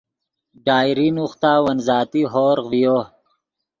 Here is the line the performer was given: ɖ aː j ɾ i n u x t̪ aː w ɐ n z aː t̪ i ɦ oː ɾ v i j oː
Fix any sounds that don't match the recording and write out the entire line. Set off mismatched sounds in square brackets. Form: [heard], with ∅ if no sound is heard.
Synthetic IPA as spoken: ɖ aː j ɾ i n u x t̪ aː w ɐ n z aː t̪ i ɦ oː ɾ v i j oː